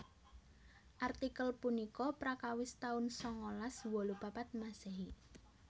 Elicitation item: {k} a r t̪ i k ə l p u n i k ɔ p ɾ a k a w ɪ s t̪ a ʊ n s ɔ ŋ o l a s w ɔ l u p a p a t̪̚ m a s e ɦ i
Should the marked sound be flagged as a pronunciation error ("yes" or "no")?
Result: yes